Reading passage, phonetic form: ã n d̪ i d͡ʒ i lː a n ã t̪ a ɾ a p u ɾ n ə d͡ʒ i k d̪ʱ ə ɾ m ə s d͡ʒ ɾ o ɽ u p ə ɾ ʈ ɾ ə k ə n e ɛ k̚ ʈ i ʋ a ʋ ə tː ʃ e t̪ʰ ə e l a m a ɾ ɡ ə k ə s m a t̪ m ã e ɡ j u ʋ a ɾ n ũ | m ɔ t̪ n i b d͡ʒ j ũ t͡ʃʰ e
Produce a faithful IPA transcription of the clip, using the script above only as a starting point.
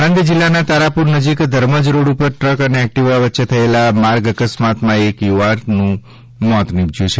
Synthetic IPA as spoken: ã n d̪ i d͡ʒ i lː a n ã t̪ a ɾ a p u ɾ n ə d͡ʒ i k d̪ʱ ə ɾ m ə d͡ʒ ɾ o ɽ u p ə ɾ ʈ ɾ ə k ə n e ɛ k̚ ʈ i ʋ a ʋ ə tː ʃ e t̪ʰ ə e l a m a ɾ ɡ ə k ə s m a t̪ m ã e k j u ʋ a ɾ n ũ | m ɔ t̪ n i b d͡ʒ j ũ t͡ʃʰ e